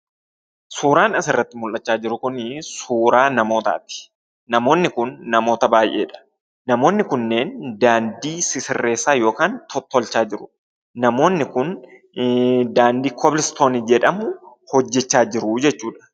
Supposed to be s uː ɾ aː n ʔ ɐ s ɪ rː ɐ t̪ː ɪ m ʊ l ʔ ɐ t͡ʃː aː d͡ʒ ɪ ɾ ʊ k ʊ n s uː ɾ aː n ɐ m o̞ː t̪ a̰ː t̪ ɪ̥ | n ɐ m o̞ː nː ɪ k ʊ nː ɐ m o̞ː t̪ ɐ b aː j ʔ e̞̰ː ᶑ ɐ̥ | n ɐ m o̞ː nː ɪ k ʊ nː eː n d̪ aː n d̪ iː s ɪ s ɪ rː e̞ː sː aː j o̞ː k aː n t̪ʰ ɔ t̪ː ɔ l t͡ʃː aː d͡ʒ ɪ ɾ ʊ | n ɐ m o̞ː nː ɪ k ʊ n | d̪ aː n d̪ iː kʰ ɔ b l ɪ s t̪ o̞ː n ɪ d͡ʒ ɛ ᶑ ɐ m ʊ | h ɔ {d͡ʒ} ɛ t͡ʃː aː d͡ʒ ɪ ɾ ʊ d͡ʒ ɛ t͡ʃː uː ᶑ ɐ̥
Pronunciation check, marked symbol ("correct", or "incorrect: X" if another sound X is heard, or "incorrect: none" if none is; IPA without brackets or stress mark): incorrect: d͡ʒː